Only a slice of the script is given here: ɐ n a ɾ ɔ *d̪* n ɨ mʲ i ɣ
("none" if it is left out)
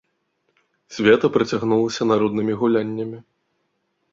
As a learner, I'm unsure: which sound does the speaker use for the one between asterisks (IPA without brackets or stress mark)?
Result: d̪